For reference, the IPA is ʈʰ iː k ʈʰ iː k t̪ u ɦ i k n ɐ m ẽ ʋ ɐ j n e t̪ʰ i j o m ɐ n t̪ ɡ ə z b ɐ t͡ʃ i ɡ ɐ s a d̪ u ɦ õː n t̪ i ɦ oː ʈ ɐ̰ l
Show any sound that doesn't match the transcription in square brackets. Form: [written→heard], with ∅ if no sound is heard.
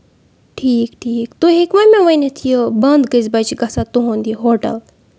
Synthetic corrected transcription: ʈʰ iː k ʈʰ iː k t̪ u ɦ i k [n→m] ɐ m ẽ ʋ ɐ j n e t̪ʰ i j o [m→b] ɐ n [t̪→d̪] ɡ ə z b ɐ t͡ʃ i ɡ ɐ s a [d̪→t̪] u ɦ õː n [t̪→d̪] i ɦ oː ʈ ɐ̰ l